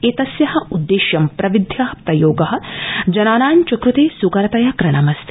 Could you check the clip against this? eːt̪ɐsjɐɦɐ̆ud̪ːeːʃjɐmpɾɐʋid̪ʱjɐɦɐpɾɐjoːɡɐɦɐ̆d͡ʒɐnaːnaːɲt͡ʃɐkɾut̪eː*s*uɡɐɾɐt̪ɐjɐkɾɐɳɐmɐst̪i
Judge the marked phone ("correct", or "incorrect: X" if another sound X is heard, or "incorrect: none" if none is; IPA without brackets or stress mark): correct